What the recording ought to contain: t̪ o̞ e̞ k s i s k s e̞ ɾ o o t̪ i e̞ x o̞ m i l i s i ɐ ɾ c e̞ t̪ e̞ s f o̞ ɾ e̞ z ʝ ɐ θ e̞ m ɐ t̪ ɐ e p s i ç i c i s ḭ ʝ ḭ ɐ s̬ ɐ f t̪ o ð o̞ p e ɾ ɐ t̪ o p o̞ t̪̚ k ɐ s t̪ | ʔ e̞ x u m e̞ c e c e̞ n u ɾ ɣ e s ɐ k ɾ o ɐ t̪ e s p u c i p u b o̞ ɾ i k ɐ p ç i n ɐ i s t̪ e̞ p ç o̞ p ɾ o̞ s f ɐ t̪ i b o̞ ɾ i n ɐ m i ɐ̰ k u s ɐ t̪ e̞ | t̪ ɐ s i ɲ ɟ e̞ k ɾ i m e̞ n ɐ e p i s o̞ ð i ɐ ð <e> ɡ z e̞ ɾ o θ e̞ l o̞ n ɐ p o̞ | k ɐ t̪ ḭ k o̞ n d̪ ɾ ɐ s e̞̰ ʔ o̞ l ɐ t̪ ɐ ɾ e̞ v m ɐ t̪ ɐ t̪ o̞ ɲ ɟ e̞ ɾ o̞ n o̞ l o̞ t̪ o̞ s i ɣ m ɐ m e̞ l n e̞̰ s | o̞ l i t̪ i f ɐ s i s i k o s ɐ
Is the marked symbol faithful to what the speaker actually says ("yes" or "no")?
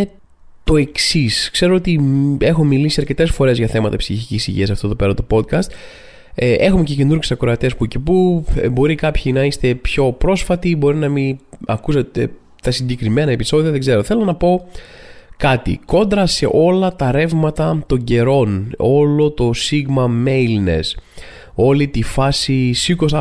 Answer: yes